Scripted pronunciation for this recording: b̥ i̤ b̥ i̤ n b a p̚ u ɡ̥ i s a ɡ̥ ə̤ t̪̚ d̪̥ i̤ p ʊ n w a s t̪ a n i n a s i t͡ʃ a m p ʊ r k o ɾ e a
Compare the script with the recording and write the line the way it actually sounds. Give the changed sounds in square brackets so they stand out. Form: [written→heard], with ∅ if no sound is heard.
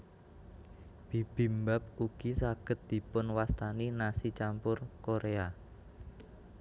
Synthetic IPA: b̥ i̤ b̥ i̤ [n→m] b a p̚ u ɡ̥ i s a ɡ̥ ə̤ t̪̚ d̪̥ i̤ p ʊ n w a s t̪ a n i n a s i t͡ʃ a m p ʊ r k o ɾ e a